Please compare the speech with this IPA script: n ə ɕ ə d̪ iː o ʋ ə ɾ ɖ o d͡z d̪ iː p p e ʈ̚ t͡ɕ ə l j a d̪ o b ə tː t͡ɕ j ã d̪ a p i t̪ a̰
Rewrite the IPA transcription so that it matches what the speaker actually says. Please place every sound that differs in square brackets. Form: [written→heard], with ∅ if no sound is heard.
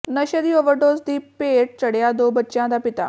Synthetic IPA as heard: n ə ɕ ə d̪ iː o ʋ ə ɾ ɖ o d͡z d̪ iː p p e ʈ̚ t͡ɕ ə [l→ɽ] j a d̪ o b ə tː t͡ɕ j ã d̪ a p i t̪ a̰